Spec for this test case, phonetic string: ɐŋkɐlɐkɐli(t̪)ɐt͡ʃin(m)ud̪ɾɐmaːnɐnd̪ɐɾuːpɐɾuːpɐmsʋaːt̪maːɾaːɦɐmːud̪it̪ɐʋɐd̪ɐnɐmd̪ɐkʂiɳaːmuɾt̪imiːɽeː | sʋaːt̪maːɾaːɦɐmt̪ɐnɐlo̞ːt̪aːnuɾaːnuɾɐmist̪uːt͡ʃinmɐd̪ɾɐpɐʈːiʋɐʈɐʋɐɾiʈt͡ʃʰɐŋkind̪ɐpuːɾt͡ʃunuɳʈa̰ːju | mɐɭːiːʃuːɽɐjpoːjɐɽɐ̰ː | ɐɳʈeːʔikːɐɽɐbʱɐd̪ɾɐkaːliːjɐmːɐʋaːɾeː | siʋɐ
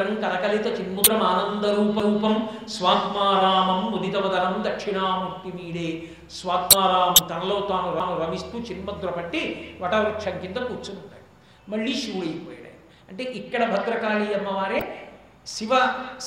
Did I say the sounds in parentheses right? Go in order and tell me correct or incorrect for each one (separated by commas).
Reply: correct, correct